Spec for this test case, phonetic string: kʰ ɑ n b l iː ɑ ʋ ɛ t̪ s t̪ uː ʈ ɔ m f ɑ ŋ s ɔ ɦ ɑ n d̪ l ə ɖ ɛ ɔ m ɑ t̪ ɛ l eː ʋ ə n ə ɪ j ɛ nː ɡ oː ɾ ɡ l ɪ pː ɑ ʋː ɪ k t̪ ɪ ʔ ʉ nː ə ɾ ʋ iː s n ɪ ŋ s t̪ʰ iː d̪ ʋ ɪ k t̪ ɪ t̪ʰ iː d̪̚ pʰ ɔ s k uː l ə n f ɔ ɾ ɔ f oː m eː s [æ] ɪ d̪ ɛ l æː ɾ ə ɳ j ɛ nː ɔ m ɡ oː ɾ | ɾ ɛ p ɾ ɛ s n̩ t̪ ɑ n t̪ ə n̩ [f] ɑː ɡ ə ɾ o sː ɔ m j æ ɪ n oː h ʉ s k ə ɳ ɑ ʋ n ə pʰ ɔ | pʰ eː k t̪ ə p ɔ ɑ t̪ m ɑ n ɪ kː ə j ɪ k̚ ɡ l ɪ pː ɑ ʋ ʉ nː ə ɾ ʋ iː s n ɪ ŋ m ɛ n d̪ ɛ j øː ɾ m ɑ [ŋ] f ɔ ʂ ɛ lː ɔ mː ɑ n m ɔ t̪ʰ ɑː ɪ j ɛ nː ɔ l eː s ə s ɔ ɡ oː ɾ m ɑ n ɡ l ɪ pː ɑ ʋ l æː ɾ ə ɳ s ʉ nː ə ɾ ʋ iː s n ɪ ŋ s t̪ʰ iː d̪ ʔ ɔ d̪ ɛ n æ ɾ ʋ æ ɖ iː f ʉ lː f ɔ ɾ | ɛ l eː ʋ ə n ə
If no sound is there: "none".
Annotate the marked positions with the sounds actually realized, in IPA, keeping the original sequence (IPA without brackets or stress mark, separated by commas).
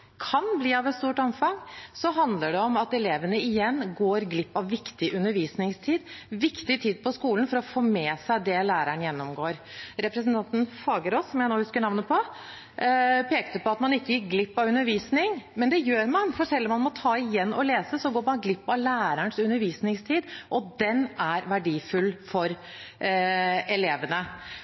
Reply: æ, f, n